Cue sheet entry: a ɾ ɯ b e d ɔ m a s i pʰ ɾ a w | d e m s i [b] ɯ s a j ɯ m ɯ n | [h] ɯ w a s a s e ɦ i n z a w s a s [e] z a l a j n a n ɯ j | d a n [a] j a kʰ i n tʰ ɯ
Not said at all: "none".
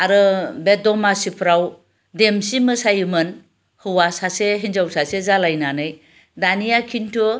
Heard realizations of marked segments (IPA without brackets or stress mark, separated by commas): m, h, e, i